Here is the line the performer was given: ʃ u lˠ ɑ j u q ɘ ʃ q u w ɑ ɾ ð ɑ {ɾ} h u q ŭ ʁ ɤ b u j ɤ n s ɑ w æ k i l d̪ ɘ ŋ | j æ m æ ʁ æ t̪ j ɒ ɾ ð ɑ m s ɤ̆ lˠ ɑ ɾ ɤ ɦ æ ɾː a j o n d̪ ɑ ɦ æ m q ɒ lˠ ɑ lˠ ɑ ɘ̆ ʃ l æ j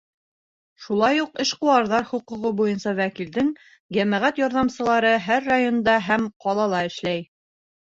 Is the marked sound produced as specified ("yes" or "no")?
yes